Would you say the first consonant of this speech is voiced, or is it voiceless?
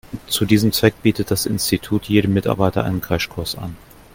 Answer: voiceless